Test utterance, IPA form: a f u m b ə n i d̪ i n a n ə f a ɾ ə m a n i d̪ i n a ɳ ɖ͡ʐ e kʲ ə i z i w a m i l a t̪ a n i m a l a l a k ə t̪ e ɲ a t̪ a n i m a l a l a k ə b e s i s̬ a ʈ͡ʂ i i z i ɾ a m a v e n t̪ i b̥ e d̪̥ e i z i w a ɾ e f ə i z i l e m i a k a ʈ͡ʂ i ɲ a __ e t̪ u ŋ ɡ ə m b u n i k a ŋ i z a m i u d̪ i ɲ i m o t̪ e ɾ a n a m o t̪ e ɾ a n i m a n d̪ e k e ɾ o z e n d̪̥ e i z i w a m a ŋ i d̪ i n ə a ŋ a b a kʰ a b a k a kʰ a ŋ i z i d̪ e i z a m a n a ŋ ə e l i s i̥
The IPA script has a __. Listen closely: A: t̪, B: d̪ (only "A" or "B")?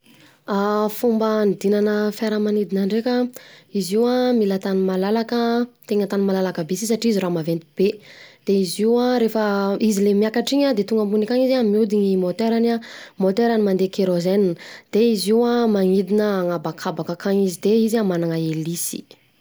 B